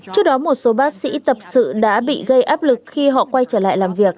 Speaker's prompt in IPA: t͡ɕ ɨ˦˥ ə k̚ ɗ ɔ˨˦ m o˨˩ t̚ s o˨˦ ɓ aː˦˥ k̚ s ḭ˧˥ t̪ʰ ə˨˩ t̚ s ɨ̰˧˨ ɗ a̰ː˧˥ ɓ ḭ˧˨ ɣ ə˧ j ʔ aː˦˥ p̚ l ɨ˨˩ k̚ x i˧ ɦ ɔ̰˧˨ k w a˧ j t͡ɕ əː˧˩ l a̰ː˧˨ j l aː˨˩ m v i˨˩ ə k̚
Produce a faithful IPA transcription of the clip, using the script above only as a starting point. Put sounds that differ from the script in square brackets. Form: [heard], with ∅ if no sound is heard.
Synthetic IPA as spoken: t͡ɕ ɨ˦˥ ə k̚ ɗ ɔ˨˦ m o˨˩ t̚ s o˨˦ ɓ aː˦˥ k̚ s ḭ˧˥ [t̪] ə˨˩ [p̚] s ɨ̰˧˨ ɗ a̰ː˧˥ ɓ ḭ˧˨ ɣ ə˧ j ʔ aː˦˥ p̚ l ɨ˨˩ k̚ x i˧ ɦ ɔ̰˧˨ k w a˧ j t͡ɕ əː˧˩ l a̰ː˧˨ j l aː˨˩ m v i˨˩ ə k̚